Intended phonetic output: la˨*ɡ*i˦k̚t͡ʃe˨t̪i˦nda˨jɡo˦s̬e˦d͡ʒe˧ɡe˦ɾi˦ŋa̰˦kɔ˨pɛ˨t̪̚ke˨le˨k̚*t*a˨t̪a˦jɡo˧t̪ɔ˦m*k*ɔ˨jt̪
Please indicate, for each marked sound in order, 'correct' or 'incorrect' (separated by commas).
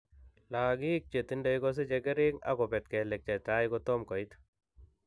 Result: correct, incorrect, correct